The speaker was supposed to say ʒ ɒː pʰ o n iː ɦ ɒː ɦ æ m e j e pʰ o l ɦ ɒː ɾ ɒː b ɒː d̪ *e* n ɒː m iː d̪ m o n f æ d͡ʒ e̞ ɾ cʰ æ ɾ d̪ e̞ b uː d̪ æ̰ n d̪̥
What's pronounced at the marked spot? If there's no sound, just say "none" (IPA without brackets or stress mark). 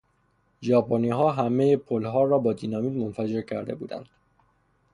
i